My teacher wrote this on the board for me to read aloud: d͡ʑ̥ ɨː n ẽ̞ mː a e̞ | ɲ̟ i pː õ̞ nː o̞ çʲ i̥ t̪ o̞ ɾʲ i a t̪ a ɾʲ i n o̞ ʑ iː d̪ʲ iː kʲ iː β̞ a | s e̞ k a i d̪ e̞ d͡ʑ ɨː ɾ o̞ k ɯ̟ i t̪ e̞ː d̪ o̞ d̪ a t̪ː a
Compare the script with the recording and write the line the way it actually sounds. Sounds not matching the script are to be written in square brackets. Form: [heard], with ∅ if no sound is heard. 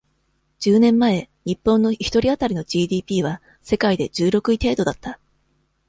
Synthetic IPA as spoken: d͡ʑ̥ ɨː n ẽ̞ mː a e̞ | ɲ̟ i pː õ̞ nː o̞ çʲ i̥ t̪ o̞ ɾʲ i a t̪ a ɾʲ i n o̞ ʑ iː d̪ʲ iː [pʲ] iː β̞ a | s e̞ k a i d̪ e̞ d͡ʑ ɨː ɾ o̞ k ɯ̟ i t̪ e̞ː d̪ o̞ d̪ a t̪ː a

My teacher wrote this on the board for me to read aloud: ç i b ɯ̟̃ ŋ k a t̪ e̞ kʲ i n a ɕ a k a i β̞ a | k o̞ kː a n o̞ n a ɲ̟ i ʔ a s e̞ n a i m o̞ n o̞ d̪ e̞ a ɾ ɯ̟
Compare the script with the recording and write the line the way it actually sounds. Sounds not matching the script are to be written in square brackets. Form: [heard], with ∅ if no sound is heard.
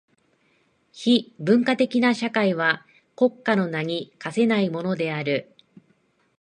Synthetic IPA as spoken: ç i b ɯ̟̃ ŋ k a t̪ e̞ kʲ i n a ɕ a k a i β̞ a | k o̞ kː a n o̞ n a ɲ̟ i [k] a s e̞ n a i m o̞ n o̞ d̪ e̞ a ɾ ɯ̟

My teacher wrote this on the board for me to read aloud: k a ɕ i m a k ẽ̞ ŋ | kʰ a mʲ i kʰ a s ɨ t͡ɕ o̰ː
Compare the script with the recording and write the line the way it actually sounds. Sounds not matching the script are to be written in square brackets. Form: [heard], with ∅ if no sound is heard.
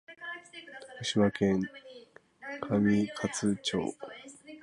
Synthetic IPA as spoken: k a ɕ i m a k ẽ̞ ŋ | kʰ a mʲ i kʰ a [t͡s] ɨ t͡ɕ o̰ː

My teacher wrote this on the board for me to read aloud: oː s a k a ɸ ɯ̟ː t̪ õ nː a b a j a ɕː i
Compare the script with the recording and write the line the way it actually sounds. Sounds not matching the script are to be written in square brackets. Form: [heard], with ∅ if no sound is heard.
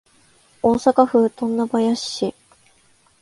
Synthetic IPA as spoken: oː s a k a ɸ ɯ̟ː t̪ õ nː a b a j a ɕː i

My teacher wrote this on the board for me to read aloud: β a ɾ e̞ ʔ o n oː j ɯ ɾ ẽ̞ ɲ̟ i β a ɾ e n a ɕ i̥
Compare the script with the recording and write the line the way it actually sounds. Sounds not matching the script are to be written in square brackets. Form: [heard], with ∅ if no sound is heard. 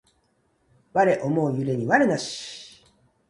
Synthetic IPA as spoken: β a ɾ e̞ ʔ o [m] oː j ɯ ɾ [e̞] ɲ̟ i β a ɾ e n a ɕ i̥

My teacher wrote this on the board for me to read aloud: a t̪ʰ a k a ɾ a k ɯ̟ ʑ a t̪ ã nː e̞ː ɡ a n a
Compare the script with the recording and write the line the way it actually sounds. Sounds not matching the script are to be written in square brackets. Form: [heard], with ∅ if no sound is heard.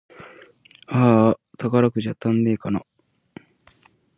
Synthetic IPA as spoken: a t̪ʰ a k a ɾ a k ɯ̟ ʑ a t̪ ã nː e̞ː [k] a n a

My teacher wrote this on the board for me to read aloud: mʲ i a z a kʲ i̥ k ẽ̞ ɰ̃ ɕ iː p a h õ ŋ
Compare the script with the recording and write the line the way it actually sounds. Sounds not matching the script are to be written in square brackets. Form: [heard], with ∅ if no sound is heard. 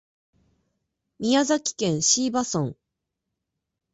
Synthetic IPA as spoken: mʲ i a z a kʲ i̥ k ẽ̞ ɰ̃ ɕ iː [b] a [s] õ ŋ

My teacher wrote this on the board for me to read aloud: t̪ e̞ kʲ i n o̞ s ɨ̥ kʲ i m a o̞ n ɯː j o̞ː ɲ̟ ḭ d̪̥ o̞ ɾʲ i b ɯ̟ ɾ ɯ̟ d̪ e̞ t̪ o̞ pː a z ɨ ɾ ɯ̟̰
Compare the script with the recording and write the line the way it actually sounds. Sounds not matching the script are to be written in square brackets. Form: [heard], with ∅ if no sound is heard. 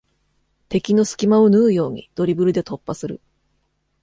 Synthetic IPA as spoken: t̪ e̞ kʲ i n o̞ s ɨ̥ kʲ i m a o̞ n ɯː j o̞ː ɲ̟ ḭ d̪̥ o̞ ɾʲ i b ɯ̟ ɾ ɯ̟ d̪ e̞ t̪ o̞ pː a [s] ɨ ɾ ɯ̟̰

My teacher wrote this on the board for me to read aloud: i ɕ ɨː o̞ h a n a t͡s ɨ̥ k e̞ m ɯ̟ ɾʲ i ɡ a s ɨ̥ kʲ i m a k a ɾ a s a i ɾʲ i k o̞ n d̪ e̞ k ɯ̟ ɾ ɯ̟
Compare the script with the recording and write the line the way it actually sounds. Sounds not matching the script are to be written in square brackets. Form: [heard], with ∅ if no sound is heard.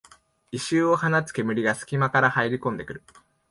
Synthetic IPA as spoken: i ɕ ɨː o̞ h a n a t͡s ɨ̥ k e̞ m ɯ̟ ɾʲ i ɡ a s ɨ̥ kʲ i m a k a ɾ a [h] a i ɾʲ i k [õ̞] n d̪ e̞ k ɯ̟ ɾ ɯ̟

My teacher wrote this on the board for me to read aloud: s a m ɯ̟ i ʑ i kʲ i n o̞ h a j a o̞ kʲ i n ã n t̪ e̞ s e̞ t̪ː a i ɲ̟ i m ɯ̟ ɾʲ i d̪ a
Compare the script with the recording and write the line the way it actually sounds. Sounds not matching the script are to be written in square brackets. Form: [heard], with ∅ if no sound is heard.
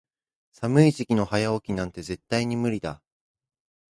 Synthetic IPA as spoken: s a m ɯ̟ i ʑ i kʲ i n o̞ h a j a o̞ kʲ i n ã n t̪ e̞ [z] e̞ t̪ː a i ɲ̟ i m ɯ̟ ɾʲ i d̪ a

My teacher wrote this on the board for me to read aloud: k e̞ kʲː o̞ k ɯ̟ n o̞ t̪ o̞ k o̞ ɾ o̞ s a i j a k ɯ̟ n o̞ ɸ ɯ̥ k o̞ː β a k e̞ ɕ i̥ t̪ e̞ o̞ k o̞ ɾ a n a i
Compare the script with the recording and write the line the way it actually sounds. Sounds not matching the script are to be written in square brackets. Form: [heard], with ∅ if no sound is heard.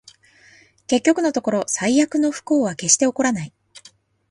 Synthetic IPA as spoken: k e̞ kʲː o̞ k ɯ̟ n o̞ t̪ o̞ k o̞ ɾ o̞ s a i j a k ɯ̟ n o̞ ɸ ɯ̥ k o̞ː β a k e̞ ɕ i̥ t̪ e̞ o̞ k o̞ ɾ a n a i

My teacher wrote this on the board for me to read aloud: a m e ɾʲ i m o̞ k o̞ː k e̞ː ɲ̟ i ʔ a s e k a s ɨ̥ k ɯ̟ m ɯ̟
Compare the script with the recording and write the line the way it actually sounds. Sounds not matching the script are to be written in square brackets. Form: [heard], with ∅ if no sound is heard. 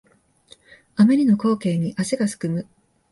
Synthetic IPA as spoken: a m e ɾʲ i [n] o̞ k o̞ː k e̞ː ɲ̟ i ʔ a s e [ɡ] a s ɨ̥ k ɯ̟ m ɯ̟

